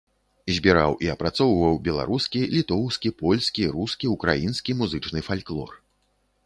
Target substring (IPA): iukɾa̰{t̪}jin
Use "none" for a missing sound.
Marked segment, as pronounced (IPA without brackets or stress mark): none